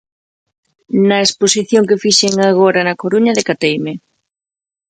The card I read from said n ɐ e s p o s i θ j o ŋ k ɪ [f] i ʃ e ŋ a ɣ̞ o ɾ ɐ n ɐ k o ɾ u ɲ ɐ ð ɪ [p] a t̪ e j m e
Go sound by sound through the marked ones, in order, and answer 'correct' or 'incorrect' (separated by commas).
correct, incorrect